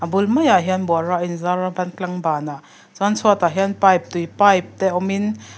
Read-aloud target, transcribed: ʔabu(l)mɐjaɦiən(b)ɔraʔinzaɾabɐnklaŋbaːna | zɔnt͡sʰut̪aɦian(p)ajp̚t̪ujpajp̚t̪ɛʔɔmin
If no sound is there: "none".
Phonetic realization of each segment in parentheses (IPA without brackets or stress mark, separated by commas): l, b, p